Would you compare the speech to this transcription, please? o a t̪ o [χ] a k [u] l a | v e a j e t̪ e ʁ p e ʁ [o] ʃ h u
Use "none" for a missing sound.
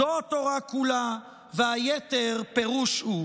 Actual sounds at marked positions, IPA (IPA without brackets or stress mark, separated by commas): ʁ, u, u